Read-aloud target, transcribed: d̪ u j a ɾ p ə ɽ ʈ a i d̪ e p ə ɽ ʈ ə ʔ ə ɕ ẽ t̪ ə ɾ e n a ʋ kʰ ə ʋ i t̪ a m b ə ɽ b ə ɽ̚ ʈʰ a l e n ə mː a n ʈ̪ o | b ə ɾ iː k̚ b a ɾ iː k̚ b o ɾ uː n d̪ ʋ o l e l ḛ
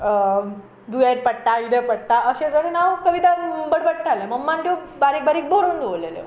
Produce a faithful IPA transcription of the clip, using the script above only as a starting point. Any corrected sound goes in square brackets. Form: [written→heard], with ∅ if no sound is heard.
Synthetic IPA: d̪ u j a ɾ p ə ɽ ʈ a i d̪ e p ə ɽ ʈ [ə→a] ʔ ə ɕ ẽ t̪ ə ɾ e n a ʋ [kʰ→k] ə ʋ i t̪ a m b ə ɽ b ə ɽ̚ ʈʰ a l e [n→m] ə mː a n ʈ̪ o | b [ə→a] ɾ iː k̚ b a ɾ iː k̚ b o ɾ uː n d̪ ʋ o l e l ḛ

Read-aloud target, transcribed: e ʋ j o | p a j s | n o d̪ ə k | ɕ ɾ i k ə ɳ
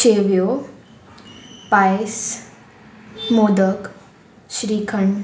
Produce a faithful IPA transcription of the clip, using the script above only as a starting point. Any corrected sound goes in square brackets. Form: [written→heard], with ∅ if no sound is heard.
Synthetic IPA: e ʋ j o | p a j s | [n→m] o d̪ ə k | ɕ ɾ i [k→kʰ] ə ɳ

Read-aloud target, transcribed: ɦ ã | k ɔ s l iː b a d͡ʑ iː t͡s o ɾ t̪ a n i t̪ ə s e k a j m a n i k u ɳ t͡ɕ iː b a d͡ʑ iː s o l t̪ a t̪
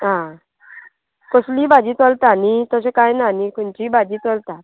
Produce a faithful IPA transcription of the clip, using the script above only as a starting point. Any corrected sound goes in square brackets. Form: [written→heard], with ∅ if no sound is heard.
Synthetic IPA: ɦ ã | k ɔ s l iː b a d͡ʑ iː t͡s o [ɾ→l] t̪ a n i t̪ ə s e k a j [m→n] a n i k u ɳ t͡ɕ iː b a d͡ʑ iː [s→t͡s] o l t̪ a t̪

